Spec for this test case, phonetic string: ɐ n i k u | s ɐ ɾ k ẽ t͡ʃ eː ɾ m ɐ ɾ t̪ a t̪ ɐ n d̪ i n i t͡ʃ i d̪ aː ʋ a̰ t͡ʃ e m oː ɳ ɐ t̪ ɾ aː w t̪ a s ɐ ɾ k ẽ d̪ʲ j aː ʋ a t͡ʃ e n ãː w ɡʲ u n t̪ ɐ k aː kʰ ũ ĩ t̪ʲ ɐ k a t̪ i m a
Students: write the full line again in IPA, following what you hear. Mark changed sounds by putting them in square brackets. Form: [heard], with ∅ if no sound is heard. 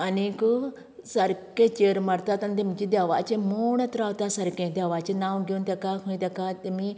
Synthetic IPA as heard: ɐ n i k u | s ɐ ɾ k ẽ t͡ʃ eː ɾ m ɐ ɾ t̪ a t̪ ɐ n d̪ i [m] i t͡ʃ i d̪ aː ʋ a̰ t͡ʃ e m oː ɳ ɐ t̪ ɾ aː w t̪ a s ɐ ɾ k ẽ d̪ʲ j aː ʋ a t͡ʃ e n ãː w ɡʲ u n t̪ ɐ k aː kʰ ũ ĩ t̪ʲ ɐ k a t̪ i m [i]

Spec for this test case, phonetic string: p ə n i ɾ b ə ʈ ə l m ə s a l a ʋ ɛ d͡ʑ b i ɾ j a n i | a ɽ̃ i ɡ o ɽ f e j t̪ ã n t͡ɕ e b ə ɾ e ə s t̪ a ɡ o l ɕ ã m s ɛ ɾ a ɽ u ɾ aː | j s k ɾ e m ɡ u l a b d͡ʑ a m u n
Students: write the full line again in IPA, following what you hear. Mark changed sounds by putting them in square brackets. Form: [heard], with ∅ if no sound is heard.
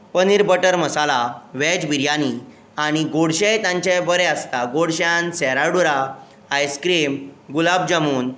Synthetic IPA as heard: p ə n i ɾ b ə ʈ ə [ɾ] m ə s a l a ʋ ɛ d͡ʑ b i ɾ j a n i | a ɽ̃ i ɡ o ɽ [ɕ] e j t̪ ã [ɲ] t͡ɕ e b ə ɾ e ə s t̪ a ɡ o [ɽ] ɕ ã [n] s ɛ ɾ a ɽ u ɾ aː | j s k ɾ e m ɡ u l a b d͡ʑ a m [uː] n

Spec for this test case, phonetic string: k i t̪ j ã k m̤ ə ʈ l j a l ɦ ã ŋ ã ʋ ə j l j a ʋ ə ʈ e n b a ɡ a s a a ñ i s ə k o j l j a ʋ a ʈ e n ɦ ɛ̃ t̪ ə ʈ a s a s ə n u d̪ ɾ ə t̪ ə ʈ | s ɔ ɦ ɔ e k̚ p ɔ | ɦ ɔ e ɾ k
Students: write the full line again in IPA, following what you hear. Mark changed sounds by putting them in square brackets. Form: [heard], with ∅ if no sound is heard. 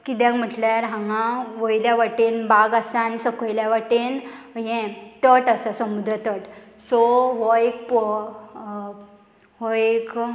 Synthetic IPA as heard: k i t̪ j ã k m̤ ə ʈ l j a [ɾ] ɦ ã ŋ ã ʋ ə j l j a ʋ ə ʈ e n b a ɡ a s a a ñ i s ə k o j l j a ʋ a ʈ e n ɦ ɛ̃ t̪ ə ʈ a s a s ə [m] u d̪ ɾ ə t̪ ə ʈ | s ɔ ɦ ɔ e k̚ p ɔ | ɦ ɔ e [∅] k

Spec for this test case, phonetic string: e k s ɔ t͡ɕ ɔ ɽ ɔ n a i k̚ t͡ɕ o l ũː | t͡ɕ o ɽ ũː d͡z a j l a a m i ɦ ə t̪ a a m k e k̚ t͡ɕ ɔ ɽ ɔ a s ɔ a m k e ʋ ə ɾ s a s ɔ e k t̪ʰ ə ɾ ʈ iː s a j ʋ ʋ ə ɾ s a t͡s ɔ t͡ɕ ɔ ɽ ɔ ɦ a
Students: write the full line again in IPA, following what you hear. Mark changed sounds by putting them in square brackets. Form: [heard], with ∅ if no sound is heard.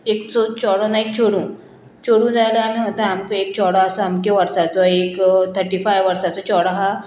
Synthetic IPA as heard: e k s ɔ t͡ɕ ɔ ɽ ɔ n a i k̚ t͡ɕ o [ɽ] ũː | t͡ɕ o ɽ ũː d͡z a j l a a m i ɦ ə t̪ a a m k e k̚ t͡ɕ ɔ ɽ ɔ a s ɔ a m k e ʋ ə ɾ s a [t͡s] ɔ e k t̪ʰ ə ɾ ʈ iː [f] a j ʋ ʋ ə ɾ s a t͡s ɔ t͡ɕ ɔ ɽ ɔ ɦ a

